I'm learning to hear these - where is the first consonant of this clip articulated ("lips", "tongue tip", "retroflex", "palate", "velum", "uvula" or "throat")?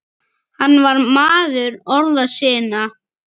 throat